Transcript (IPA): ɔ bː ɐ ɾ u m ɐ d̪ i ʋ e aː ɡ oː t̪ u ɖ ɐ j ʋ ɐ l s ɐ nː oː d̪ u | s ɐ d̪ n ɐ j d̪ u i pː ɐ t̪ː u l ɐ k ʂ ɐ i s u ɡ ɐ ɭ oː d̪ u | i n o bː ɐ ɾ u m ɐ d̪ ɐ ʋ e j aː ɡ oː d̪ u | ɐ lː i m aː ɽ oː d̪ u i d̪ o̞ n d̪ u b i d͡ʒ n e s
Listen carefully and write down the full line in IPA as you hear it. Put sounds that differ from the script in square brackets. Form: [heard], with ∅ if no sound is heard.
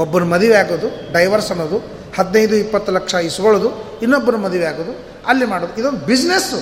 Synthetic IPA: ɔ bː ɐ ɾ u m ɐ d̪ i ʋ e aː ɡ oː [d̪] u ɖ ɐ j ʋ ɐ [ɾ] s ɐ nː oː d̪ u | [h] ɐ d̪ n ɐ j d̪ u i pː ɐ t̪ː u l ɐ k ʂ ɐ i s u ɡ ɐ ɭ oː d̪ u | i [nː] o bː ɐ ɾ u m ɐ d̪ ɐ ʋ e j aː ɡ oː d̪ u | ɐ lː i m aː ɽ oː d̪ u i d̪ o̞ n d̪ u b i d͡ʒ n e s